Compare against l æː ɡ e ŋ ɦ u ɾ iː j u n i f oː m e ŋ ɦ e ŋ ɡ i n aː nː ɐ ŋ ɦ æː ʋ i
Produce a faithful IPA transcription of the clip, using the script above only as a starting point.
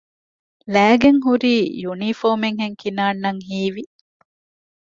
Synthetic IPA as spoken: l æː ɡ e ŋ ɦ u ɾ iː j u n i f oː m e ŋ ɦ e ŋ k i n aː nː ɐ ŋ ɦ iː ʋ i